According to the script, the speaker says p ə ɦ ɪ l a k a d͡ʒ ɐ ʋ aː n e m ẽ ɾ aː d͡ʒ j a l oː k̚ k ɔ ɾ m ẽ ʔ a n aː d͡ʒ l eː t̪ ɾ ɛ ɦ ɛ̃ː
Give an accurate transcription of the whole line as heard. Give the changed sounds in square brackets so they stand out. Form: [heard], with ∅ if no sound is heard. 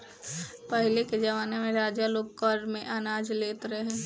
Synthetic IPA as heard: p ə ɦ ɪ l [e] k [e] d͡ʒ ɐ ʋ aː n e m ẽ ɾ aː d͡ʒ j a l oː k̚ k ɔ ɾ m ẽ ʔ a n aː d͡ʒ l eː t̪ ɾ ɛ ɦ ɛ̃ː